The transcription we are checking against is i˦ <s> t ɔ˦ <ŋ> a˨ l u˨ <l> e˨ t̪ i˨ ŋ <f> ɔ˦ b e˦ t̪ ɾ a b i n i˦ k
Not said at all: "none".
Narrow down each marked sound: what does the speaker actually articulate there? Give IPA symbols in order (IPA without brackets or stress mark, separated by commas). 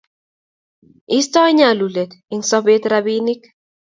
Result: s, ɲ, l, s